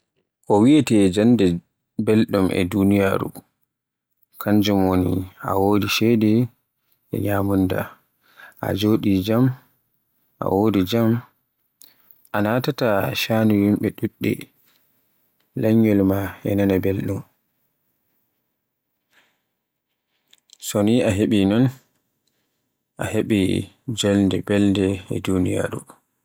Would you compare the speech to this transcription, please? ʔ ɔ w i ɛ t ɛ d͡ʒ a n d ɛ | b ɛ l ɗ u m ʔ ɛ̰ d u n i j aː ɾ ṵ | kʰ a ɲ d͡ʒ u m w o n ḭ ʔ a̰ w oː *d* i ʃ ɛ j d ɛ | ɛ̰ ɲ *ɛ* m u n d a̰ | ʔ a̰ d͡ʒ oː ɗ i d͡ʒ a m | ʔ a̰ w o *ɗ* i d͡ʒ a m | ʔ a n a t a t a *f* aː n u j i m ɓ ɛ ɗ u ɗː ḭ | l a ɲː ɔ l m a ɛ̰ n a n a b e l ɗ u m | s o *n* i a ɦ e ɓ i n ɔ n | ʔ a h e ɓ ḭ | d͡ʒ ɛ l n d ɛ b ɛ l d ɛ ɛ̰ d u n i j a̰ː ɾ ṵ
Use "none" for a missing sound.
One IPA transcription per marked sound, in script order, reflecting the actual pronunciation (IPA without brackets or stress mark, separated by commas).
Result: d, a, d, ʃ, n